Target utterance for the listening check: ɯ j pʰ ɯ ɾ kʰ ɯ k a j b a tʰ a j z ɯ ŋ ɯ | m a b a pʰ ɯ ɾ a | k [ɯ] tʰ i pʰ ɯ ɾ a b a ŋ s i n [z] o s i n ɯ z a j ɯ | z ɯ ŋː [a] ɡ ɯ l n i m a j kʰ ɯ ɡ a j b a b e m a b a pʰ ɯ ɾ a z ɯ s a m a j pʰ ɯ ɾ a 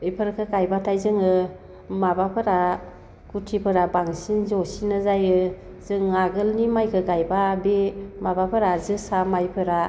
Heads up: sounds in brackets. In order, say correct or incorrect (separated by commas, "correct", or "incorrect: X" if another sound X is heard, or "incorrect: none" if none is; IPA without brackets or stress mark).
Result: incorrect: u, correct, correct